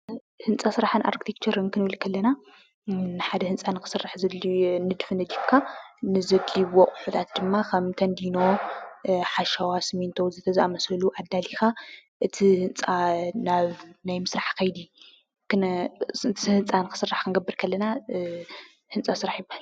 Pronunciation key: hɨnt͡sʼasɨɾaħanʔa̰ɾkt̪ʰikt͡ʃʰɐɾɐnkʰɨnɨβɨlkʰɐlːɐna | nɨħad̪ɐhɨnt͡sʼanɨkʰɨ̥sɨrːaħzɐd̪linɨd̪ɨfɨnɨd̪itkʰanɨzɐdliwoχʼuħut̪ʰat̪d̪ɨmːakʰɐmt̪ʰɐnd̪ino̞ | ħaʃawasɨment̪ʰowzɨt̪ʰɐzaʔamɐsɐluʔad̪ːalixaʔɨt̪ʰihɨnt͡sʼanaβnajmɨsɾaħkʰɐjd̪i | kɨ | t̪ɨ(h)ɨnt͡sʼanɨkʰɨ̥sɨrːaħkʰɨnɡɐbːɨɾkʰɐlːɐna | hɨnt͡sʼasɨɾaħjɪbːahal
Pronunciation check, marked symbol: correct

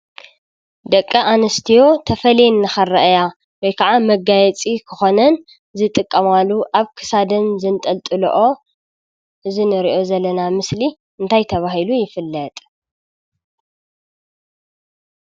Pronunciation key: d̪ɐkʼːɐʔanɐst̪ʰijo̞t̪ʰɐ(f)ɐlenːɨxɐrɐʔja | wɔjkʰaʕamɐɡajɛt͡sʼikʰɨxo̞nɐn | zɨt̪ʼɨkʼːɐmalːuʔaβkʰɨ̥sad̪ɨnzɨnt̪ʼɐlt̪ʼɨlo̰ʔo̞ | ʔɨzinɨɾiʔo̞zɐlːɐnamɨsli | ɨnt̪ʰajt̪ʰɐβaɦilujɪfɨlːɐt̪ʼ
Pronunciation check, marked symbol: correct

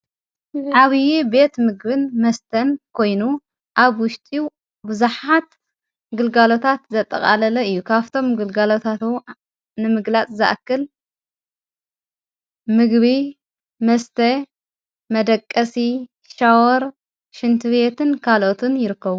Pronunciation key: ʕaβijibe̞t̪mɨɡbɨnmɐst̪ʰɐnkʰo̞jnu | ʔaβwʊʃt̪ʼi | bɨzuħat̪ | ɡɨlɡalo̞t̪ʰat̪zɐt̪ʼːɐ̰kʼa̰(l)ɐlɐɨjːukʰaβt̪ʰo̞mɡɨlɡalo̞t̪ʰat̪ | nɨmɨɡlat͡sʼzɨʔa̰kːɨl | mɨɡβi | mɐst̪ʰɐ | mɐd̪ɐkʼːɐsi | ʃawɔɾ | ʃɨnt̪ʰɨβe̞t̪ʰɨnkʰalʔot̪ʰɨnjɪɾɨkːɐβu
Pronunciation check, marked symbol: correct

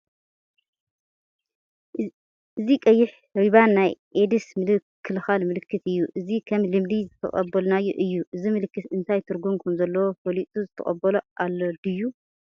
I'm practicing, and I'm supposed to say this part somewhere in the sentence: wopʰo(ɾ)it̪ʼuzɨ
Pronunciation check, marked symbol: incorrect: l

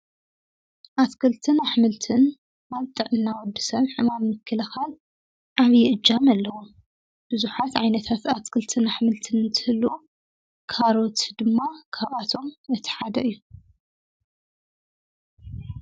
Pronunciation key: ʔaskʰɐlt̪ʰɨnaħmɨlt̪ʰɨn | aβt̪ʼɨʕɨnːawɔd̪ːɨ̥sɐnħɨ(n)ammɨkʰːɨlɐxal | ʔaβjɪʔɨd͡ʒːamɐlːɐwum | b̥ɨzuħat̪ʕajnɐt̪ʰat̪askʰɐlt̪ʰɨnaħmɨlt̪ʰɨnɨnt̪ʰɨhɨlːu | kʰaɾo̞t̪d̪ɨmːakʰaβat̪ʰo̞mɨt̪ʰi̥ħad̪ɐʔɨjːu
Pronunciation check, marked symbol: incorrect: m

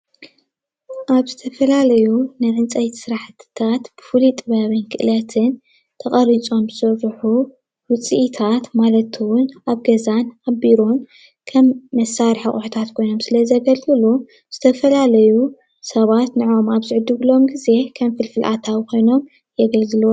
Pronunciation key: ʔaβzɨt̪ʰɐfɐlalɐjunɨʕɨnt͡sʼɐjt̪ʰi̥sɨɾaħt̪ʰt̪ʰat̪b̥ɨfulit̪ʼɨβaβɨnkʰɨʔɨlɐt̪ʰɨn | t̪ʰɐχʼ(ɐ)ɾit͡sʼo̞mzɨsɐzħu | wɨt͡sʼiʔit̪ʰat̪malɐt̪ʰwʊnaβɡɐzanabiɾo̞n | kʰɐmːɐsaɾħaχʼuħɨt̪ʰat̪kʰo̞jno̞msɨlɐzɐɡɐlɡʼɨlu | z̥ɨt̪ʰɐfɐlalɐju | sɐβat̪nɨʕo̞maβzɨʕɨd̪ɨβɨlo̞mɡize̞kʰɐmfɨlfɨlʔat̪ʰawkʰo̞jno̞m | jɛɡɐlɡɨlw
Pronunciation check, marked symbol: correct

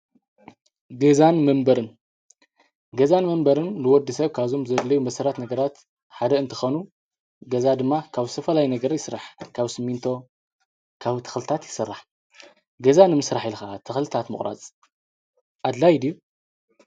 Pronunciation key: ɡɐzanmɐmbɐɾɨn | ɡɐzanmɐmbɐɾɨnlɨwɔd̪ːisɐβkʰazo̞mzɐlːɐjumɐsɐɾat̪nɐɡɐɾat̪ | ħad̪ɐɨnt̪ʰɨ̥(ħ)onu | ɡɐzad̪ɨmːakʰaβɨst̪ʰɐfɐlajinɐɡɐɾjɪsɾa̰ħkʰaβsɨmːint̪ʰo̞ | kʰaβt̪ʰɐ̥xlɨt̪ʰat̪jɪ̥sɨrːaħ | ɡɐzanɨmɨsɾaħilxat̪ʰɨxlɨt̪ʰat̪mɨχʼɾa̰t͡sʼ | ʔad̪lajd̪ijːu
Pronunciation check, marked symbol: incorrect: x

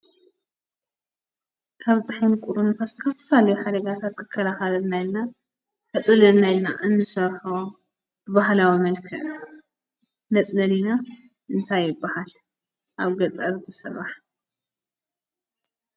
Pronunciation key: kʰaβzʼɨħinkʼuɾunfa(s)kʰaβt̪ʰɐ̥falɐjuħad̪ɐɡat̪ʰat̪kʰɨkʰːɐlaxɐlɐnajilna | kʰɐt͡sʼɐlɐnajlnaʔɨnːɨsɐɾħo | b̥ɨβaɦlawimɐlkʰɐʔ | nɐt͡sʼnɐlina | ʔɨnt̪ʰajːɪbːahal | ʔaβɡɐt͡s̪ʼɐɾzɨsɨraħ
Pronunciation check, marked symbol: correct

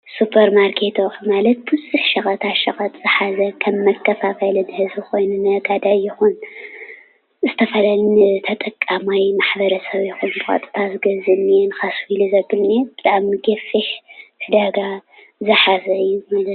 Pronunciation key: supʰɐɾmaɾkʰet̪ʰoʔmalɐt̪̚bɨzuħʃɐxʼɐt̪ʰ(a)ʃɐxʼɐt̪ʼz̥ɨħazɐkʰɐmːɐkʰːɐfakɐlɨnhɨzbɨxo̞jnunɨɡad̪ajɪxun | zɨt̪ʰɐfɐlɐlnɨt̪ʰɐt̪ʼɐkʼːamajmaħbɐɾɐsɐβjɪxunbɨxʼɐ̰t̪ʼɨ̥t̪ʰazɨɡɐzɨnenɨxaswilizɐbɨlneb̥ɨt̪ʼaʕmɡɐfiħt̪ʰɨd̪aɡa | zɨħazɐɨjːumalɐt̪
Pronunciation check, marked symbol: correct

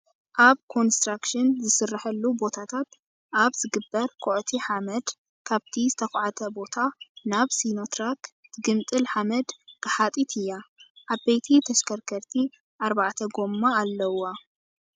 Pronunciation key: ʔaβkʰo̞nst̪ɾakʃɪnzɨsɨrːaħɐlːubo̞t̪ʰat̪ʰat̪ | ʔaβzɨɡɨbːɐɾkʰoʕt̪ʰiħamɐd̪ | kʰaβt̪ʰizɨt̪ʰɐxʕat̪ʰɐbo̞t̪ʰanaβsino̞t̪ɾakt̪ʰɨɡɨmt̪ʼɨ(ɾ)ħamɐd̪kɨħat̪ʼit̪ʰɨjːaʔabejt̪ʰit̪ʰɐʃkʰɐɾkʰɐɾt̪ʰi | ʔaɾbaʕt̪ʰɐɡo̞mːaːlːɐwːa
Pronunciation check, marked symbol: incorrect: l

